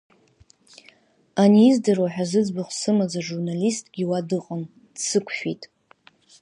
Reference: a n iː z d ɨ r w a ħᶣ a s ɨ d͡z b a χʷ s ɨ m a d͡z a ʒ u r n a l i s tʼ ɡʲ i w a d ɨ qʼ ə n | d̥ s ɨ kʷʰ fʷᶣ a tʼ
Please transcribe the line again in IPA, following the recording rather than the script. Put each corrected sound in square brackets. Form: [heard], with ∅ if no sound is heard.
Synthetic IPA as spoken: a n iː z d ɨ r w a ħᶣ a [z] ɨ d͡z b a χʷ s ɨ m a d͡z a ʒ u r n a l i s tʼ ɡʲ i w a d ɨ qʼ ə n | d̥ s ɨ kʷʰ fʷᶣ [i] tʼ